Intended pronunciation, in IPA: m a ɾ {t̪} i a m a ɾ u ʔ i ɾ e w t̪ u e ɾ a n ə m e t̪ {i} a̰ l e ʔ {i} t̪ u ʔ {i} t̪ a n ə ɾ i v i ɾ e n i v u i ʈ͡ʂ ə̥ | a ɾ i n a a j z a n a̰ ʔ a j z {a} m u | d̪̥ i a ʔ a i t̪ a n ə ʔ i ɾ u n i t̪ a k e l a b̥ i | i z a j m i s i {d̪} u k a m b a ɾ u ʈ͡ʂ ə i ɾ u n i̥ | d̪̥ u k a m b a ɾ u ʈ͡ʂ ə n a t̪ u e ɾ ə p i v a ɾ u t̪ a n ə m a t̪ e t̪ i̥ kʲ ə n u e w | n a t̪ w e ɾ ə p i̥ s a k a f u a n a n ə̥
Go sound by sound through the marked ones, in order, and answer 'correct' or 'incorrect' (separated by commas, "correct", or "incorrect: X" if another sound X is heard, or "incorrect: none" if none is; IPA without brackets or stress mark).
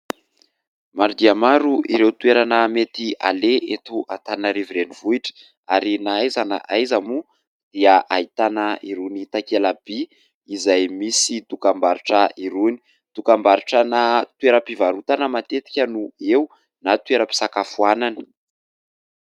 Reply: incorrect: d̪, correct, incorrect: e, incorrect: a, correct, correct